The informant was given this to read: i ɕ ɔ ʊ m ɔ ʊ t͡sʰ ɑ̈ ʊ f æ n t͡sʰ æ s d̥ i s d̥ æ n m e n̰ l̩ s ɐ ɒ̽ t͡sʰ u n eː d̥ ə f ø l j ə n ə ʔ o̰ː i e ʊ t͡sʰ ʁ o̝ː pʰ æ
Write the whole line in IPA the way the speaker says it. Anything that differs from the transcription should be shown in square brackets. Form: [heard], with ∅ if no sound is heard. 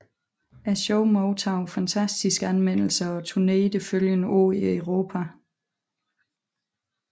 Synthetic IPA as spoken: [æ] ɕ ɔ ʊ m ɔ ʊ t͡sʰ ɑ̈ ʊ f æ n t͡sʰ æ s d̥ i s [ɡ̥] æ n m e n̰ l̩ s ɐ ɒ̽ t͡sʰ u n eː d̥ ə f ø l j ə n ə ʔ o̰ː i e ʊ [∅] ʁ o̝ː pʰ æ